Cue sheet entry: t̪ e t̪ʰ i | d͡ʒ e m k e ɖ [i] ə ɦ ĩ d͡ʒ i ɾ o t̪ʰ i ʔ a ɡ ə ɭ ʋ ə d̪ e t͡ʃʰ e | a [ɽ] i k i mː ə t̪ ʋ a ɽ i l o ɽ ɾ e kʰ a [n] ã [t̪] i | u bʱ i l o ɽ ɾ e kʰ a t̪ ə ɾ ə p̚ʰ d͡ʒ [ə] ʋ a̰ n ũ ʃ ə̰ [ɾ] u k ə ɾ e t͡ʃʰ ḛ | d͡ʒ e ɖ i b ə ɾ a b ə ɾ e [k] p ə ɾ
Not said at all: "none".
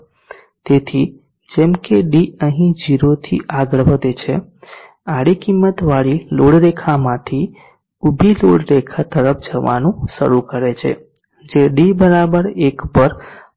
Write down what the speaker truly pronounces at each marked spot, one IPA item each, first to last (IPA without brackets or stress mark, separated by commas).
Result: i, ɽ, m, t̪ʰ, ə, ɾ, k